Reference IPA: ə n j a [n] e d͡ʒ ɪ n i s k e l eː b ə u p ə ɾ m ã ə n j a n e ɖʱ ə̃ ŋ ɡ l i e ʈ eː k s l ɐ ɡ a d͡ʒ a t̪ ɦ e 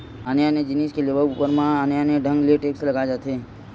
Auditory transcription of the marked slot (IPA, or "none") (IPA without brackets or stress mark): n